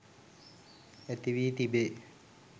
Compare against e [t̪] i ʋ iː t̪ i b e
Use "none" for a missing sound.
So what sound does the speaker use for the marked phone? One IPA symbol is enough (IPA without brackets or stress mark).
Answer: t̪